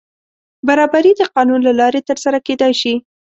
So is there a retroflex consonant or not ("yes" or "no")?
no